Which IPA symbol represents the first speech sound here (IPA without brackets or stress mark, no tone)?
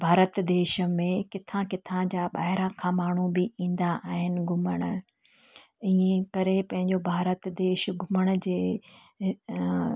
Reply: bʱ